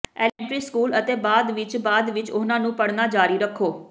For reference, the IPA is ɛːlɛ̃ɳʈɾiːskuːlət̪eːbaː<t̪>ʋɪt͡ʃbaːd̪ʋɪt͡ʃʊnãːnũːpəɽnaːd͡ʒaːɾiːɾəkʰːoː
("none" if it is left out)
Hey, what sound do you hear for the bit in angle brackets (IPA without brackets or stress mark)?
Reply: d̪